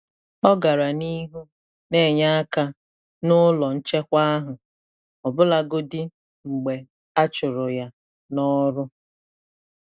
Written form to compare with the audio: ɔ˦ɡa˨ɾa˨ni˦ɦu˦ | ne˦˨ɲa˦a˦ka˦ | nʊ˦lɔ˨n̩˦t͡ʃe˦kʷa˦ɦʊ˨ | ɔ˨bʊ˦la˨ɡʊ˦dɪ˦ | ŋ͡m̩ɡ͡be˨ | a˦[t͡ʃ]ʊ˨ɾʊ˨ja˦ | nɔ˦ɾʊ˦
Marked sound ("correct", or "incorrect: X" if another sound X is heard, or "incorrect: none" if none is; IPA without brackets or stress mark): correct